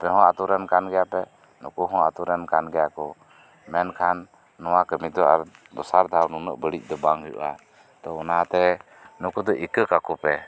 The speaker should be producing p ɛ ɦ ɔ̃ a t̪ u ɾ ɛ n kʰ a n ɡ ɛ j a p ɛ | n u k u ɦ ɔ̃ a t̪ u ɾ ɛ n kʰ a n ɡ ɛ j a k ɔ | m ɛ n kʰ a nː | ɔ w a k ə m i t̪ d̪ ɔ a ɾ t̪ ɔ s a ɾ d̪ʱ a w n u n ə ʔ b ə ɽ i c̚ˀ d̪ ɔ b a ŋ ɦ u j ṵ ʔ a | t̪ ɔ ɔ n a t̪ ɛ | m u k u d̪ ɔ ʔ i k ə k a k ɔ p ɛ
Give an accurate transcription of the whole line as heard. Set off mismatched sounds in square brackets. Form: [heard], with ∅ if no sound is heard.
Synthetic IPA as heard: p ɛ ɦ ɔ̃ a t̪ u ɾ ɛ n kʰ a n ɡ ɛ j a p ɛ | n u k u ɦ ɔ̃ a t̪ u ɾ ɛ n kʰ a n ɡ ɛ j a k ɔ | m ɛ n kʰ a nː | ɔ w a k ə m i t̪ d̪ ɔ a ɾ [d̪] ɔ s a ɾ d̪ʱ a w n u n ə ʔ b ə ɽ i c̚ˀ d̪ ɔ b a ŋ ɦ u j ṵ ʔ a | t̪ ɔ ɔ n a t̪ ɛ | [n] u k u d̪ ɔ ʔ i k ə k a k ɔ p ɛ